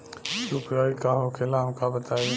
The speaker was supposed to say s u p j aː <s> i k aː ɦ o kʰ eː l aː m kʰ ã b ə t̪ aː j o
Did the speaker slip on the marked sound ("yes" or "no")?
yes